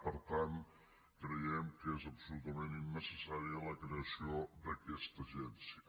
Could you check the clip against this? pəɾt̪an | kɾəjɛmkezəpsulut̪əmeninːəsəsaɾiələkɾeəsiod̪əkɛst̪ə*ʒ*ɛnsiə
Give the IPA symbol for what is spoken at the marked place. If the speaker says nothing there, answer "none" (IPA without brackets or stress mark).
ʒ